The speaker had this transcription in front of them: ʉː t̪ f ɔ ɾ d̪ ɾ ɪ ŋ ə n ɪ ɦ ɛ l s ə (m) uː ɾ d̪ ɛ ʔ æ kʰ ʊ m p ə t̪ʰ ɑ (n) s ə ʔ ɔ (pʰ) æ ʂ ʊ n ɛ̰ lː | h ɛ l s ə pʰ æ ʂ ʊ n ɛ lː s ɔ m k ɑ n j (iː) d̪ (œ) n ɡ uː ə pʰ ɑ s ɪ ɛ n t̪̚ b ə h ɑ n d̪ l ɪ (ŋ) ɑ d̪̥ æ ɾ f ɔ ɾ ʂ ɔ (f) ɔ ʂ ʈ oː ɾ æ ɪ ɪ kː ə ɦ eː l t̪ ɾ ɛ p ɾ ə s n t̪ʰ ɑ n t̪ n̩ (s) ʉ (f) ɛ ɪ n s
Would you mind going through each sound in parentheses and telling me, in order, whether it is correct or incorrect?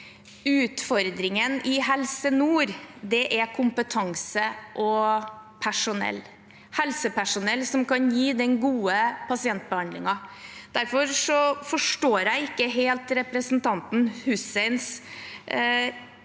incorrect: n, incorrect: ŋ, correct, correct, incorrect: ɛ, correct, correct, incorrect: h, incorrect: s

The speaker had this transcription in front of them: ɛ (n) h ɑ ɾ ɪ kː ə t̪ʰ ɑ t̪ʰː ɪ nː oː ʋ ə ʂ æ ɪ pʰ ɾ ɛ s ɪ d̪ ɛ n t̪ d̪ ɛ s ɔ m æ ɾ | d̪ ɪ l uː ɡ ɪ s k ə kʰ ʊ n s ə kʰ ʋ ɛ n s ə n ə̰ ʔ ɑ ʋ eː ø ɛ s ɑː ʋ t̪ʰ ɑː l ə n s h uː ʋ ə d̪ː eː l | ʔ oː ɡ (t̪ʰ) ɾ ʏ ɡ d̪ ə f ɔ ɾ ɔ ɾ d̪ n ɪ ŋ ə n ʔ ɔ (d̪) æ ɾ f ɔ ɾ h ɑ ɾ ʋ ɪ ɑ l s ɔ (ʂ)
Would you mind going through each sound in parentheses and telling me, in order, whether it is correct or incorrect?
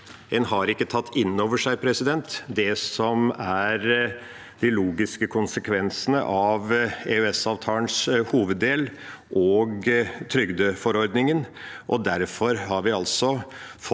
correct, correct, correct, incorrect: f

